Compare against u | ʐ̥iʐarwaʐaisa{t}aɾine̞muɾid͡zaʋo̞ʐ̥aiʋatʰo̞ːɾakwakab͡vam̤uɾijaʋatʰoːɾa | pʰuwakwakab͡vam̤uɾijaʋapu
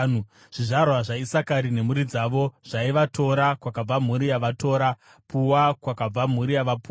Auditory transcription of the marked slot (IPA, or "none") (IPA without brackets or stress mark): k